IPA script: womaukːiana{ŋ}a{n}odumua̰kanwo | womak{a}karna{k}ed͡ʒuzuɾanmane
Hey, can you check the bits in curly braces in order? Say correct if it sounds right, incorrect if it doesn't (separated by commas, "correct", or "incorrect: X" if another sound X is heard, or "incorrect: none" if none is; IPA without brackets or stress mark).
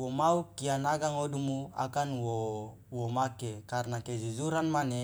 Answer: incorrect: ɡ, incorrect: ŋ, incorrect: e, correct